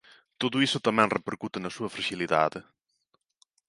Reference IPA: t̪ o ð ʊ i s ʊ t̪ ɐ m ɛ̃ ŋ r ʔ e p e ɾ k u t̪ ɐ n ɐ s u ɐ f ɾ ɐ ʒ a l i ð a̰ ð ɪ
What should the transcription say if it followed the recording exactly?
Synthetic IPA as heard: t̪ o ð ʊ i s ʊ t̪ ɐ m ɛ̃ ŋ r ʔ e p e ɾ k u t̪ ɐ n ɐ s u ɐ f ɾ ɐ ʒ i l i ð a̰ ð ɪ